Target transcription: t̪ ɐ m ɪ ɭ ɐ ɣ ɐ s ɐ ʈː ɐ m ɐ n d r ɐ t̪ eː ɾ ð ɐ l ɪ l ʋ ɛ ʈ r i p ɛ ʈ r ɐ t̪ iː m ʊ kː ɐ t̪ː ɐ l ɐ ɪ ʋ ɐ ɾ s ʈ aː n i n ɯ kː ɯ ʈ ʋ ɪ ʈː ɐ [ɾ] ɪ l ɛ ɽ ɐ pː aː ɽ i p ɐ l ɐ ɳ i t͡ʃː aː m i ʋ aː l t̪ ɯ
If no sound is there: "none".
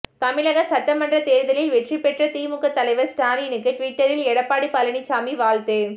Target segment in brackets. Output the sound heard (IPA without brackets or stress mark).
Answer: ɾ